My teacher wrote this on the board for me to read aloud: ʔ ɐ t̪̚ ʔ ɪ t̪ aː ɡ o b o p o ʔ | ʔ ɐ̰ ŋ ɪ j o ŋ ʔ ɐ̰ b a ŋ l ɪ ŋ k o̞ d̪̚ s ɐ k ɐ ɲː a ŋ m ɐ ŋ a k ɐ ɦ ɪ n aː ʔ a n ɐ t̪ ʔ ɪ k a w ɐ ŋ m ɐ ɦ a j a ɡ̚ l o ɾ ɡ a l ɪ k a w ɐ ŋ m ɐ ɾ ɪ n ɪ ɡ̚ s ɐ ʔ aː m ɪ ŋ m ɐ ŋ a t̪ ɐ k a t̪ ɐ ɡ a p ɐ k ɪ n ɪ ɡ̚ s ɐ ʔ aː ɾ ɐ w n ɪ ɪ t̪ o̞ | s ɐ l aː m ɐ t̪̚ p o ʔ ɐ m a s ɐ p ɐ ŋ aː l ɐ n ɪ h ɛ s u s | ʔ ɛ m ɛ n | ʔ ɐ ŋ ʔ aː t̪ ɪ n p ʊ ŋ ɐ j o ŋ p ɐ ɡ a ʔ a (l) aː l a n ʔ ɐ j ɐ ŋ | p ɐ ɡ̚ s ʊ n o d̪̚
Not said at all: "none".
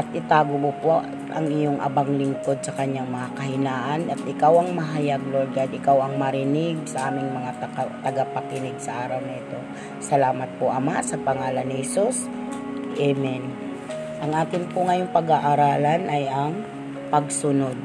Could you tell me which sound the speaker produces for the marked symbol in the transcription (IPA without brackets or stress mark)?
ɾ